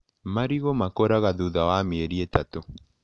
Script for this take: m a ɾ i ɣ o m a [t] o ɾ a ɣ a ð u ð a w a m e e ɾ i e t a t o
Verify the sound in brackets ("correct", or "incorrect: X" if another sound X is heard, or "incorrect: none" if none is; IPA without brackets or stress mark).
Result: incorrect: k